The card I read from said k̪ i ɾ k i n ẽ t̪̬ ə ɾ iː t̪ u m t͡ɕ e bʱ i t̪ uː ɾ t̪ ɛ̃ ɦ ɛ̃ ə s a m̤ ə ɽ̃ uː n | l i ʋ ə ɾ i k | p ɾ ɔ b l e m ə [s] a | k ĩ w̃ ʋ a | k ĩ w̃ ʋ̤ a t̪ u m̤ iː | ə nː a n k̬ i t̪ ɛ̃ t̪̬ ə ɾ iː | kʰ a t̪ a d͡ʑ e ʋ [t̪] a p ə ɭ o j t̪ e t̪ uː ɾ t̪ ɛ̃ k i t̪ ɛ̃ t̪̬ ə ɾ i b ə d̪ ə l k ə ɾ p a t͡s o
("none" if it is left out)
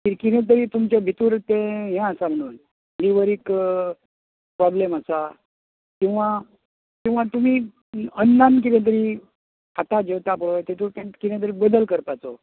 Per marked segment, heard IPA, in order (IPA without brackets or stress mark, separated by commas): s, t̪